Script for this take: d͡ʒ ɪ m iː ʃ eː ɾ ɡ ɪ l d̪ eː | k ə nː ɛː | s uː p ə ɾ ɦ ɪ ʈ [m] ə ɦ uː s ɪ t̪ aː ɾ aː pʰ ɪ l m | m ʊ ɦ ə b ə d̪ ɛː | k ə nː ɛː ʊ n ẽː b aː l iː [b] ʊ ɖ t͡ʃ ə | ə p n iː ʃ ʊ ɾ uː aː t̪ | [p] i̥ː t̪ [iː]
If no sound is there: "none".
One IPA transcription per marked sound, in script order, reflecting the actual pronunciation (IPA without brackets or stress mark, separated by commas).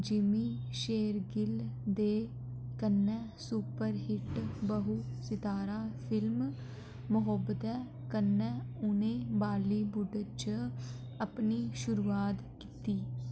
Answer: b, b, k, iː